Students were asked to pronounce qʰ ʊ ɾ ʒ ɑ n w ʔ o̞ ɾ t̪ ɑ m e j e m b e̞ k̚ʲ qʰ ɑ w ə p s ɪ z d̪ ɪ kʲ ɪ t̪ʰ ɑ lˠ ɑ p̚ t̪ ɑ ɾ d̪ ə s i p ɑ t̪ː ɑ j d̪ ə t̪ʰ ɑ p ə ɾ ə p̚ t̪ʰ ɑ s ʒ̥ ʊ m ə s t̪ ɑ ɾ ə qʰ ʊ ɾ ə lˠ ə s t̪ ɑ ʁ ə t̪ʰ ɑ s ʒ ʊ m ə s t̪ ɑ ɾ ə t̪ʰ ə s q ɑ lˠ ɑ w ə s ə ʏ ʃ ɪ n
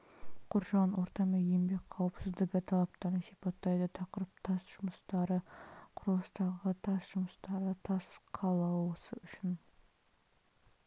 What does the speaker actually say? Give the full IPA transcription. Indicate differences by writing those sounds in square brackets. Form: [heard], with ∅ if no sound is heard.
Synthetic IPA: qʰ ʊ ɾ ʒ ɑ n w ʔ o̞ ɾ t̪ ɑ m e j e m b e̞ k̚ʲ qʰ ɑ w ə p s ɪ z d̪ ɪ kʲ ɪ t̪ʰ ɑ lˠ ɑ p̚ t̪ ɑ ɾ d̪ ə s i p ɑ t̪ː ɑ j d̪ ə t̪ʰ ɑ [q] ə ɾ ə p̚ t̪ʰ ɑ s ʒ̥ ʊ m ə s t̪ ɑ ɾ ə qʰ ʊ ɾ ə lˠ ə s t̪ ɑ ʁ ə t̪ʰ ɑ s ʒ ʊ m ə s t̪ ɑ ɾ ə t̪ʰ [ɑ] s [qʰ] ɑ lˠ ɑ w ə s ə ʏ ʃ ɪ n

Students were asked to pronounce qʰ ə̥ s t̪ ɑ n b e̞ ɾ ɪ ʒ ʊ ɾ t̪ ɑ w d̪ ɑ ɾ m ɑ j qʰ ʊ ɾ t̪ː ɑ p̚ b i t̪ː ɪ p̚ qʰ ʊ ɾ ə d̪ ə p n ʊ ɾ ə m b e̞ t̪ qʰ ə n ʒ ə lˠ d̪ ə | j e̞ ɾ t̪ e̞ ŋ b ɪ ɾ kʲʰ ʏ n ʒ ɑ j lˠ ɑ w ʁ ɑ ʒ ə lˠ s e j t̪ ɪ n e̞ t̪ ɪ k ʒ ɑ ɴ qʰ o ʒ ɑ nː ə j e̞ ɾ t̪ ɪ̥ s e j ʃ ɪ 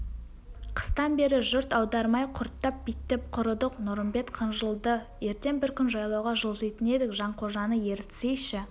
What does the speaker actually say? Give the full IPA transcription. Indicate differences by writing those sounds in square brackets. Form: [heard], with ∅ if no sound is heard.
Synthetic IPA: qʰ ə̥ s t̪ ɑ n b e̞ ɾ ɪ ʒ ʊ ɾ t̪ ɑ w d̪ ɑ ɾ m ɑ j qʰ ʊ ɾ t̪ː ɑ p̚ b i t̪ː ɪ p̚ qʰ ʊ ɾ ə d̪ ə [q] n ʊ ɾ ə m b e̞ t̪ qʰ ə n ʒ ə lˠ d̪ ə | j e̞ ɾ t̪ e̞ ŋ b ɪ ɾ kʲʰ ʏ n ʒ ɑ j lˠ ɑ w ʁ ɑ ʒ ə lˠ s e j t̪ ɪ n e̞ [d̪] ɪ k ʒ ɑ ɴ qʰ o ʒ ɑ [n] ə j e̞ ɾ t̪ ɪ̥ s e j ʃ ɪ

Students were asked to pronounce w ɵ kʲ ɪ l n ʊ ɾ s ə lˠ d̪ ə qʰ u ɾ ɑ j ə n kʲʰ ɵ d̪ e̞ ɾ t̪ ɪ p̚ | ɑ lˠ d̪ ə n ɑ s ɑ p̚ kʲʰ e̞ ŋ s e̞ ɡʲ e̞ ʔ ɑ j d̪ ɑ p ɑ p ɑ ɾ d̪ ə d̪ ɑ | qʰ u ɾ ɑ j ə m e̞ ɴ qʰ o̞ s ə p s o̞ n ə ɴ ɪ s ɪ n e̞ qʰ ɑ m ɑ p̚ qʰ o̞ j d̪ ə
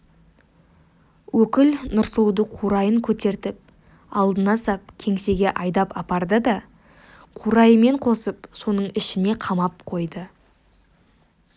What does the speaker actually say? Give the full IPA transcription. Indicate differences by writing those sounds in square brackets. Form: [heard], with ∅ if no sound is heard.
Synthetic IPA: w ɵ kʲ ɪ l n ʊ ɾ s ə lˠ d̪ ə qʰ u ɾ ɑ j ə [ŋ] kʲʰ ɵ [t̪] e̞ ɾ t̪ ɪ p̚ | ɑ lˠ d̪ ə n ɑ s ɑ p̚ kʲʰ e̞ ŋ s e̞ ɡʲ e̞ ʔ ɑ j d̪ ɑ p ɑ p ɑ ɾ d̪ ə d̪ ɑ | qʰ u ɾ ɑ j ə m e̞ ɴ qʰ o̞ s ə p s o̞ n ə ɴ ɪ [ʃ] ɪ n e̞ qʰ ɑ m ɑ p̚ qʰ o̞ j d̪ ə

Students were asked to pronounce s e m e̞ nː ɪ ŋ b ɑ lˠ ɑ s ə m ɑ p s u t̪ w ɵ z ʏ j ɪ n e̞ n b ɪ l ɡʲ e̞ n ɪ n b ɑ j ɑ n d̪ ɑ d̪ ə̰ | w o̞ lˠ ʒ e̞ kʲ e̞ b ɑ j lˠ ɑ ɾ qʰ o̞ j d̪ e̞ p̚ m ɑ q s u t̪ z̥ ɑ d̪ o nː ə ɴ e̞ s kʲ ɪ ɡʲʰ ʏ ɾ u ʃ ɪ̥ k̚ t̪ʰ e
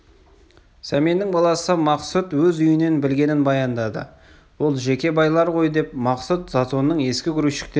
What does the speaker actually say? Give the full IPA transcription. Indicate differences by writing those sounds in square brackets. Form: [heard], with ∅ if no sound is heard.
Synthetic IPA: s [æ] m e̞ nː ɪ ŋ b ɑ lˠ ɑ s ə m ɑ [q] s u t̪ w ɵ z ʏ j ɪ n e̞ n b ɪ l ɡʲ e̞ n ɪ n b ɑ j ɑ n d̪ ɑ d̪ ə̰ | w o̞ lˠ ʒ e̞ kʲ e̞ b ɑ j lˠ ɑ ɾ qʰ o̞ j d̪ e̞ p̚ m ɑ q s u t̪ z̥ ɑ [t̪] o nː ə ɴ e̞ s kʲ ɪ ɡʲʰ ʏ ɾ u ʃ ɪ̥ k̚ [t̪] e

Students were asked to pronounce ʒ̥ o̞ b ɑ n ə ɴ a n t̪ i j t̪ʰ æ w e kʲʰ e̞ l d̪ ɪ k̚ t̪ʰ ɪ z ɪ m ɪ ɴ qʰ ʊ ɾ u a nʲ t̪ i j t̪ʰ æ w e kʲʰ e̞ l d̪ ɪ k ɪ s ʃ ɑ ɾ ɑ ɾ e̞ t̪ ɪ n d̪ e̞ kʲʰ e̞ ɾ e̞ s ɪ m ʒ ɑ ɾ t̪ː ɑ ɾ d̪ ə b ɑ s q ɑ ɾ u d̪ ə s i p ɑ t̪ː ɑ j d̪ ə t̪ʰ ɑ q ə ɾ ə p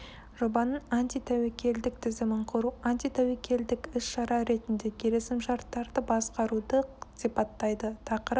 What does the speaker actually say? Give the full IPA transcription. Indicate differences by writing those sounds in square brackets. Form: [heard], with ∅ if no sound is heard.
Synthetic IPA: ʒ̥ o̞ b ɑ n ə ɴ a n t̪ i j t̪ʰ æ w e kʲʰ e̞ l d̪ ɪ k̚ t̪ʰ ɪ z ɪ m ɪ ɴ qʰ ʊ ɾ u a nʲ t̪ i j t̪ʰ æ w e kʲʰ e̞ l d̪ ɪ k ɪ s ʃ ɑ ɾ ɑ ɾ e̞ t̪ ɪ n d̪ e̞ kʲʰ e̞ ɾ e̞ s ɪ m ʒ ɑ ɾ t̪ː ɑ ɾ d̪ ə b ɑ s q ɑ ɾ u d̪ ə s i p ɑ t̪ː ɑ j d̪ ə t̪ʰ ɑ q ə ɾ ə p

